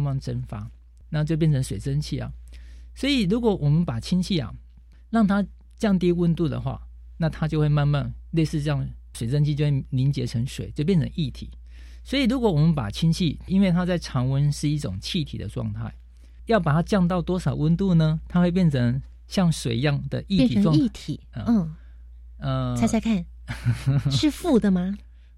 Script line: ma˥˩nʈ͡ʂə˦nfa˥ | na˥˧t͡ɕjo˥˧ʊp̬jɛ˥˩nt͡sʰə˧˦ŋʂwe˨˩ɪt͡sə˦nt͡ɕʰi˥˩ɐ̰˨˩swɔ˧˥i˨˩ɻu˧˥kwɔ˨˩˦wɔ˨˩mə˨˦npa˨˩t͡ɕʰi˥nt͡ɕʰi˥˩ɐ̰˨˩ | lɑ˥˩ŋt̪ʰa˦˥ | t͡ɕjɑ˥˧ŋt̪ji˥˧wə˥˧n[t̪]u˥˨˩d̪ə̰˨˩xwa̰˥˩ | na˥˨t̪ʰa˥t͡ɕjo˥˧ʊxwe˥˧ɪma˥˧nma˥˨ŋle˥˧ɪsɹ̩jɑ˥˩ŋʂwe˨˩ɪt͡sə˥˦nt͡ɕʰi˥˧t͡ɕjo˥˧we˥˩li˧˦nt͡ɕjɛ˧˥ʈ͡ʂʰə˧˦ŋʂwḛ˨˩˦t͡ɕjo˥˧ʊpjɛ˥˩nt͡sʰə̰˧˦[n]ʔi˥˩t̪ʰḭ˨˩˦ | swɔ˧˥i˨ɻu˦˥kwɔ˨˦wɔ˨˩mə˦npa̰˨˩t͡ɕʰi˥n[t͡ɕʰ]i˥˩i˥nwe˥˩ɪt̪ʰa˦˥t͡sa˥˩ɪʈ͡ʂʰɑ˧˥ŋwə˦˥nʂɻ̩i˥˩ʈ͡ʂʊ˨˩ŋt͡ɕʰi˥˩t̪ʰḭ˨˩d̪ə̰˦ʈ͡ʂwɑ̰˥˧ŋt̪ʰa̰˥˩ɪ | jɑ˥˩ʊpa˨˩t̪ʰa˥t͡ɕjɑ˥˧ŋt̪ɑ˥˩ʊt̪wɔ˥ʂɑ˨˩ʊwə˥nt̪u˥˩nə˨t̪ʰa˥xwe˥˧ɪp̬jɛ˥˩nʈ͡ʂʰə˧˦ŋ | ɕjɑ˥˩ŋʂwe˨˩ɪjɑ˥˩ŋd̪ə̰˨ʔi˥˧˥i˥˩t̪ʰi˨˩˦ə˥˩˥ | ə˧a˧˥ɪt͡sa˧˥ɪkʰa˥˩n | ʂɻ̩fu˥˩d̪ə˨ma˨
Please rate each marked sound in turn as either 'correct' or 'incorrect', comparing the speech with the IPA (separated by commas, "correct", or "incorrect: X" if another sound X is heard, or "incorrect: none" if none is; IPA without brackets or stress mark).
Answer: correct, incorrect: ŋ, correct